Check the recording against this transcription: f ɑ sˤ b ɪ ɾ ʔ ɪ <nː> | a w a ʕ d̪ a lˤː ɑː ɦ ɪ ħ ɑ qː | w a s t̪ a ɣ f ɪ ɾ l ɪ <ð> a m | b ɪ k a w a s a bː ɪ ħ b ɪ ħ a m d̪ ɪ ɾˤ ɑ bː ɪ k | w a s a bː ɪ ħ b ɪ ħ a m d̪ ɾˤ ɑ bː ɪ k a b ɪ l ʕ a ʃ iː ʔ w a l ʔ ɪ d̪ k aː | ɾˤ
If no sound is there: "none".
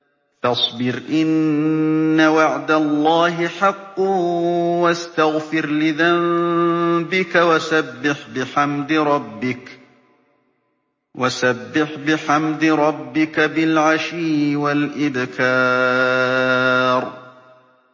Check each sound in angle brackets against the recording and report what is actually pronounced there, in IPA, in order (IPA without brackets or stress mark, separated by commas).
nː, ð